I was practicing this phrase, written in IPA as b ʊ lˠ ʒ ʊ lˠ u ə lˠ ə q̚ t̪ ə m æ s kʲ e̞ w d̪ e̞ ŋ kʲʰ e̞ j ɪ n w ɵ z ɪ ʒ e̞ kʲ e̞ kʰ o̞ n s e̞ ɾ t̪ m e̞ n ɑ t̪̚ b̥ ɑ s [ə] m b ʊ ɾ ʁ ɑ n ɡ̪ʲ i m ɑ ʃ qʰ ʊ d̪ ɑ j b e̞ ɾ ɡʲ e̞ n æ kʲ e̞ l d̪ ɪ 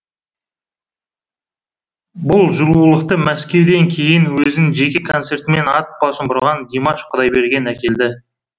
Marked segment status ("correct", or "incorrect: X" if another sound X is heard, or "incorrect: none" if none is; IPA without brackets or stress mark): correct